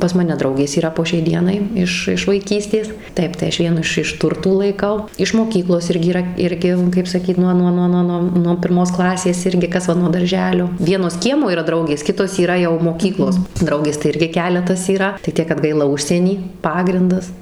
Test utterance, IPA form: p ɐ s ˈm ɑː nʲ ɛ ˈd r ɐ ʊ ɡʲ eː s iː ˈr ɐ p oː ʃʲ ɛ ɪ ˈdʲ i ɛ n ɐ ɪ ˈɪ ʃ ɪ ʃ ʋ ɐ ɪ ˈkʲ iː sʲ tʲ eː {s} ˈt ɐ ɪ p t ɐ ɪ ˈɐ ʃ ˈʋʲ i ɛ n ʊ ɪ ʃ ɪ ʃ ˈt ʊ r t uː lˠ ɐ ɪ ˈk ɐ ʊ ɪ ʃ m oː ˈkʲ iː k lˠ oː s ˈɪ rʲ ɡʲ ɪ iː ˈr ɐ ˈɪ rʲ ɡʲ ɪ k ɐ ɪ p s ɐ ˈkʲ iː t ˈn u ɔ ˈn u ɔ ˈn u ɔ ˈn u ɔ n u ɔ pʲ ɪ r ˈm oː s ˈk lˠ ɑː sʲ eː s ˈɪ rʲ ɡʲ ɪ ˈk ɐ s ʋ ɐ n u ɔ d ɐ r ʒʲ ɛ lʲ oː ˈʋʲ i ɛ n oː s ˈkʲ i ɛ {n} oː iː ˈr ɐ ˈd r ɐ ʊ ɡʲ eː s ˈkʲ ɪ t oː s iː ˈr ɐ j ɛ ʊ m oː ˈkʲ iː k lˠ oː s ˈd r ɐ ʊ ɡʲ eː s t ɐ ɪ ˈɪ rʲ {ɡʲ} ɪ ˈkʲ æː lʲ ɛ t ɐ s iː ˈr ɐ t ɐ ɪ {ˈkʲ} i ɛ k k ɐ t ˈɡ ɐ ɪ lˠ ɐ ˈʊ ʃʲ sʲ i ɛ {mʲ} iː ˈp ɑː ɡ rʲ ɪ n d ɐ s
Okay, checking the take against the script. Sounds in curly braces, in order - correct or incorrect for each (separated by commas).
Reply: correct, incorrect, correct, incorrect, incorrect